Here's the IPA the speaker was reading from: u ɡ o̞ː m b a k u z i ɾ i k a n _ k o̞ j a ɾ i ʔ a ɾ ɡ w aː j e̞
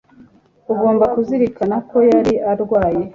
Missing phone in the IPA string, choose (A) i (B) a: B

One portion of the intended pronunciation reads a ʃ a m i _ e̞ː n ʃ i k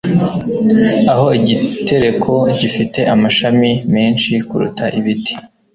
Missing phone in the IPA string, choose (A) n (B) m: B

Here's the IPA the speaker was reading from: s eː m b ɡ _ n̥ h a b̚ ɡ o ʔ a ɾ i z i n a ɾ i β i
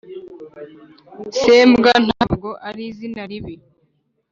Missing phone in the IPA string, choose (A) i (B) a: B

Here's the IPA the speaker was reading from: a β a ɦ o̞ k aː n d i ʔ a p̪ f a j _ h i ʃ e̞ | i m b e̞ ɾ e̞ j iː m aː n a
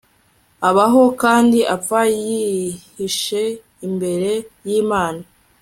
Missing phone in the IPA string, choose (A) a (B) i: B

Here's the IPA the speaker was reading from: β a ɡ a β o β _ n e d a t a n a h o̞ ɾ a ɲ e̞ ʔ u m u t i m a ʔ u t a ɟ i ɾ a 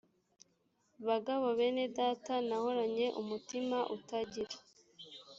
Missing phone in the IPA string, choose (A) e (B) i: A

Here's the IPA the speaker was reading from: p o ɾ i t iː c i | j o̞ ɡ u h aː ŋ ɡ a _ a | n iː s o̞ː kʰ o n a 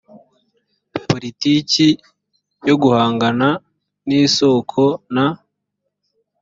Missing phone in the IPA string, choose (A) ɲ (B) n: B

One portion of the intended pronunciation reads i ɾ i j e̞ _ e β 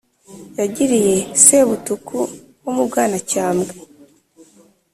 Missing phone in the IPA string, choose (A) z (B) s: B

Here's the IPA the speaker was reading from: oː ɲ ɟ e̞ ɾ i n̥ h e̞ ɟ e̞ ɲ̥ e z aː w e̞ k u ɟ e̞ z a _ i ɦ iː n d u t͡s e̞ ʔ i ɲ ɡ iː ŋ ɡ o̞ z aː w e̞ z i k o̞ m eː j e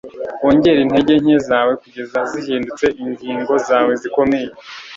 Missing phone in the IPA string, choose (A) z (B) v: A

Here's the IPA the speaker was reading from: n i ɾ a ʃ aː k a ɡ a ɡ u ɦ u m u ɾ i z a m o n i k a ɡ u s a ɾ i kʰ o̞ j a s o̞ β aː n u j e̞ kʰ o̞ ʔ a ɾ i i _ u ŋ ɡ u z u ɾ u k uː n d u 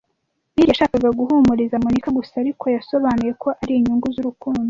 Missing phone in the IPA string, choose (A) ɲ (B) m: A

